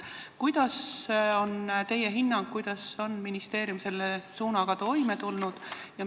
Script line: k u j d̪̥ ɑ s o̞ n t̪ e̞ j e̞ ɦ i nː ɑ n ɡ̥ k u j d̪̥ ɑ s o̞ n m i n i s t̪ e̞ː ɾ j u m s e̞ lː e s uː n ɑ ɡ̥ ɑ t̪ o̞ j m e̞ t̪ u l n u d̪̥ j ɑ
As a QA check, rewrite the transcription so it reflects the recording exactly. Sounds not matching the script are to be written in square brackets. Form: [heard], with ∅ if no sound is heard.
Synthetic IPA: k u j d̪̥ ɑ s o̞ n t̪ e̞ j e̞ ɦ i nː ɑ [ŋ] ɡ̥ k u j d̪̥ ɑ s o̞ n m i n i s t̪ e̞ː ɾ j u m s e̞ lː e s uː n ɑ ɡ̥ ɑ t̪ o̞ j m e̞ t̪ u l n u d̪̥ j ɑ